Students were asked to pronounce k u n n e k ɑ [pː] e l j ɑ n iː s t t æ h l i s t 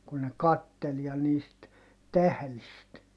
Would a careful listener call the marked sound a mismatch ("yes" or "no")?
yes